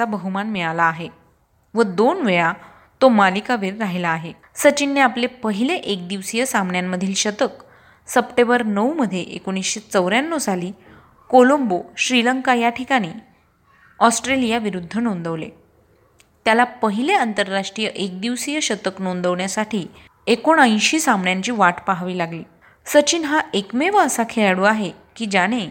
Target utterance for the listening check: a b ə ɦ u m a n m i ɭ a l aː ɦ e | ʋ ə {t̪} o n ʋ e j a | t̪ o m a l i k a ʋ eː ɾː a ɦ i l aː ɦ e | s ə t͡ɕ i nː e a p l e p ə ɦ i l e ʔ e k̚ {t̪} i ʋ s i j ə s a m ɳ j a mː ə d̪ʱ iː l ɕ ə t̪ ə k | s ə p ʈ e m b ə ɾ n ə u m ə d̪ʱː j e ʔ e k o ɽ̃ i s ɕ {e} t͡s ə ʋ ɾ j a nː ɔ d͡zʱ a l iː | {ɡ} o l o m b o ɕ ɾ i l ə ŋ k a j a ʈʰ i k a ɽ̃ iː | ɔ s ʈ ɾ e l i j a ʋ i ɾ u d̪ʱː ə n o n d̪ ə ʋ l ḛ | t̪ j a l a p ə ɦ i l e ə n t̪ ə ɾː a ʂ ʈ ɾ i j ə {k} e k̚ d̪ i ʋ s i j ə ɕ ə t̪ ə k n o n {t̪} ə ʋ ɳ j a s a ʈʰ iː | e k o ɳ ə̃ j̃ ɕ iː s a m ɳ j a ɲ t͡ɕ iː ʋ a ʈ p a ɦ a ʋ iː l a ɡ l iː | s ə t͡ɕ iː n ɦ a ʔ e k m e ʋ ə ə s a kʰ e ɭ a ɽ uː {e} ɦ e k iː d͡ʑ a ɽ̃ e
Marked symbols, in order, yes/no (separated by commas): no, no, yes, no, no, no, no